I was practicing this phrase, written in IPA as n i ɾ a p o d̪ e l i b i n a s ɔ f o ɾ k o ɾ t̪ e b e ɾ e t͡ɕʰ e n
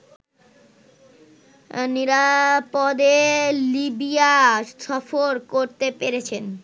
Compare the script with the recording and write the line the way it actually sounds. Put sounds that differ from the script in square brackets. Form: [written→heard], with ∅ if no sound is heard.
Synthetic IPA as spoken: n i ɾ a p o d̪ e l i b i [n→∅] a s ɔ f o ɾ k o ɾ t̪ e [b→p] e ɾ e t͡ɕʰ e n